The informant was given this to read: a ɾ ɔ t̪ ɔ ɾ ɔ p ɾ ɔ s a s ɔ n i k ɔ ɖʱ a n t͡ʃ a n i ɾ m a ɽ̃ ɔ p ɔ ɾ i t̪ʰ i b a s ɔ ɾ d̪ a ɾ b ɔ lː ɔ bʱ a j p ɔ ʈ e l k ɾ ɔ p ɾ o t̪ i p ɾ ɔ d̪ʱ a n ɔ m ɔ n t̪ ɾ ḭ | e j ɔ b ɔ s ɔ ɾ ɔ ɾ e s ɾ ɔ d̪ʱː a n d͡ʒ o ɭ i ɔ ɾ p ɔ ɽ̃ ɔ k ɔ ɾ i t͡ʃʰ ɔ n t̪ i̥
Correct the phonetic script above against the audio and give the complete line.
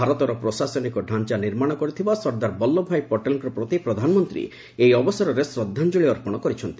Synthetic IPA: a ɾ ɔ t̪ ɔ ɾ ɔ p ɾ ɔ s a s ɔ n i k ɔ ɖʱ a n t͡ʃ a n i ɾ m a ɽ̃ ɔ k ɔ ɾ i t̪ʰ i b a s ɔ ɾ d̪ a ɾ b ɔ lː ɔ bʱ a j p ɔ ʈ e l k ɾ ɔ p ɾ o t̪ i p ɾ ɔ d̪ʱ a n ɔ m ɔ n t̪ ɾ ḭ | e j ɔ b ɔ s ɔ ɾ ɔ ɾ e s ɾ ɔ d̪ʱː a n d͡ʒ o ɭ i ɔ ɾ p ɔ ɽ̃ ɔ k ɔ ɾ i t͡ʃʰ ɔ n t̪ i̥